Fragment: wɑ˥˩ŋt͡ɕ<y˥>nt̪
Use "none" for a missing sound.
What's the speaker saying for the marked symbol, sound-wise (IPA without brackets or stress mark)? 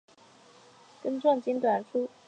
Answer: i˥